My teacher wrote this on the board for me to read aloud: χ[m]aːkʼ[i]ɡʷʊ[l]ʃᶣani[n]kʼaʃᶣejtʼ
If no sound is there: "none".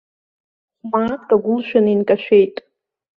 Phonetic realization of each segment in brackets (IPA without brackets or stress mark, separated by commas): m, a, l, n